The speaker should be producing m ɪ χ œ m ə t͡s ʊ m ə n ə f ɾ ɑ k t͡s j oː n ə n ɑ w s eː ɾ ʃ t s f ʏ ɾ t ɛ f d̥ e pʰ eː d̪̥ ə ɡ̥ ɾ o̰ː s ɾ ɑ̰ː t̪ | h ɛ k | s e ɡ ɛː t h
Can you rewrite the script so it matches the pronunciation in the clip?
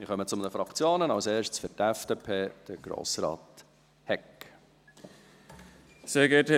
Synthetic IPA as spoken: m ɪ χ œ m ə t͡s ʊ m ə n ə f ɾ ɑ k t͡s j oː n ə n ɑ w s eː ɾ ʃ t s f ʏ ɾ t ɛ f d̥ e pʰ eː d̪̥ ə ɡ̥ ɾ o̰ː s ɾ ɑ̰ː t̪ | h ɛ k | s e ɡ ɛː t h